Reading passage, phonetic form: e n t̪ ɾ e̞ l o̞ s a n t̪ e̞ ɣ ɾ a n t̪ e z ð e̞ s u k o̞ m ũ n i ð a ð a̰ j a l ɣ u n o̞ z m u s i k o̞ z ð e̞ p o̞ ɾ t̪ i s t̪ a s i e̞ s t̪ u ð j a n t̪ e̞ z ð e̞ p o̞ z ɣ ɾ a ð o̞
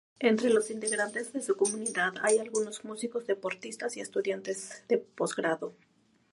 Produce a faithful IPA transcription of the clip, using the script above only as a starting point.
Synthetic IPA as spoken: e n t̪ ɾ e̞ l o̞ s i n t̪ e̞ ɣ ɾ a n t̪ e z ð e̞ s u k o̞ m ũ n i ð a ð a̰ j a l ɣ u n o̞ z m u s i k o̞ z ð e̞ p o̞ ɾ t̪ i s t̪ a s i e̞ s t̪ u ð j a n t̪ e̞ z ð e̞ p o̞ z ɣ ɾ a ð o̞

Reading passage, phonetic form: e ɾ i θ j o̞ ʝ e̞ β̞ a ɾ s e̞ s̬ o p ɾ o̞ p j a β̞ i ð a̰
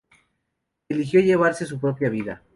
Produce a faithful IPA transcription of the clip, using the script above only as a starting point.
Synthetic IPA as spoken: e l i x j o̞ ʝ e̞ β̞ a ɾ s e̞ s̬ u p ɾ o̞ p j a β̞ i ð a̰

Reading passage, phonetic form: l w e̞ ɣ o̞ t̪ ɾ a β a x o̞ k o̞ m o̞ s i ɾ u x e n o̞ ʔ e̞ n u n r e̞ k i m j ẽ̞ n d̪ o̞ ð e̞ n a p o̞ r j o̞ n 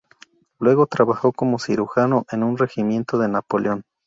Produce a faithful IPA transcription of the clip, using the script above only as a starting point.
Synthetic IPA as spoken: l w e̞ ɣ o̞ t̪ ɾ a β a x o̞ k o̞ m o̞ s i ɾ u x a n o̞ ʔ e̞ n u n r e̞ x i m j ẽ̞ n t̪ o̞ ð e̞ n a p o̞ l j o̞ n

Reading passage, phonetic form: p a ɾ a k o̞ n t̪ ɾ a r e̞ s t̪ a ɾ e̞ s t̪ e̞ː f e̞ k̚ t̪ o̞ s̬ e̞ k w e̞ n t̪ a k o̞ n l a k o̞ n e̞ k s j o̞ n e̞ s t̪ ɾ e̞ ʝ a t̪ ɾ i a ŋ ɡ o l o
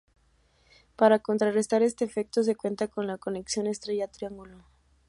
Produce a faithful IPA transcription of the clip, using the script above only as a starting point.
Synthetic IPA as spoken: p a ɾ a k o̞ n t̪ ɾ a r e̞ s t̪ a ɾ e̞ s t̪ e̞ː f e̞ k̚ t̪ o̞ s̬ e̞ k w e̞ n t̪ a k o̞ n l a k o̞ n e̞ k s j o̞ n e̞ s t̪ ɾ e̞ ʝ a t̪ ɾ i a ŋ ɡ u l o

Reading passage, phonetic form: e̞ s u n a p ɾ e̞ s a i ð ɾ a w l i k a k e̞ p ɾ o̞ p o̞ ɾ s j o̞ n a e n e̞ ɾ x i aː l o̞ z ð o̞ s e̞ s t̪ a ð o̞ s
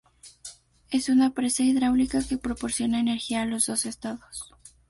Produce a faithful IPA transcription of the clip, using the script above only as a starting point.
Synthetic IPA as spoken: e̞ s u n a p ɾ e̞ s a i ð ɾ a w l i k a k e̞ p ɾ o̞ p o̞ ɾ s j o̞ n a e n e̞ ɾ x i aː l o̞ z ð o̞ s e̞ s t̪ a ð o̞ s

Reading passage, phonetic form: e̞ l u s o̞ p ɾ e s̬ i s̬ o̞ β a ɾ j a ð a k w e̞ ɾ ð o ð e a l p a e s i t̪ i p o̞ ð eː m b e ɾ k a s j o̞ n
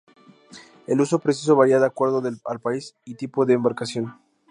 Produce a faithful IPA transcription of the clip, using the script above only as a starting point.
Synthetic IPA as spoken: e̞ l u s o̞ p ɾ e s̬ i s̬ o̞ β a ɾ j a ð a k w e̞ ɾ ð o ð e a l p a i s i t̪ i p o̞ ð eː m b a ɾ k a s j o̞ n

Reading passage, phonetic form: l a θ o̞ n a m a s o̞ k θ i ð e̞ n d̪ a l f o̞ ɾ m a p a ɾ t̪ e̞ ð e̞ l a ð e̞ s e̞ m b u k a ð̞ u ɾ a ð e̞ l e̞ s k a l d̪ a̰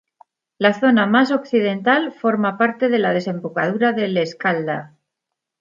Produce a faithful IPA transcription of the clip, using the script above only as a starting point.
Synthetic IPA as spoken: l a θ o̞ n a m a s o̞ k θ i ð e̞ n t̪ a l f o̞ ɾ m a p a ɾ t̪ e̞ ð e̞ l a ð e̞ s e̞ m b u k a ð̞ u ɾ a ð e̞ l e̞ s k a l d̪ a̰

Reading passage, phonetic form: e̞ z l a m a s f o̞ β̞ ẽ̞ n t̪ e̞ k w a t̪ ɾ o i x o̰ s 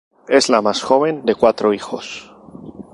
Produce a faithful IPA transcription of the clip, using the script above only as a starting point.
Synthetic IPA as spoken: e̞ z l a m a s x o̞ β̞ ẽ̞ n d̪ e̞ k w a t̪ ɾ o i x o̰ s

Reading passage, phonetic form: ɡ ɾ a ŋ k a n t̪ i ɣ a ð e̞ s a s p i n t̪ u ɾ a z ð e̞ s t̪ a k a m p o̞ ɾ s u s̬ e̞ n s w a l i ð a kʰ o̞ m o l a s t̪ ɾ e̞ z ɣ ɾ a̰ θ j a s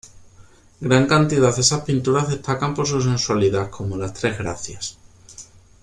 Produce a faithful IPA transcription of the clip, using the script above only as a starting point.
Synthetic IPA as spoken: ɡ ɾ a ŋ k a n t̪ i ð a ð e̞ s a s p i n t̪ u ɾ a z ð e̞ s t̪ a k a m p o̞ ɾ s u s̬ e̞ n s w a l i ð a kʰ o̞ m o l a s t̪ ɾ e̞ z ɣ ɾ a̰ θ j a s

